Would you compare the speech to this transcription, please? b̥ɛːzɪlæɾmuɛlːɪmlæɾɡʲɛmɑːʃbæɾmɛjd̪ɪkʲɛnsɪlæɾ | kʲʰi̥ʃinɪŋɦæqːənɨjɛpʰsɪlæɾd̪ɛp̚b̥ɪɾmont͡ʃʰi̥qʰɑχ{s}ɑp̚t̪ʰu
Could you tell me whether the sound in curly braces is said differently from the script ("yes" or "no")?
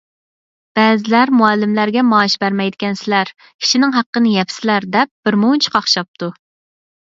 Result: yes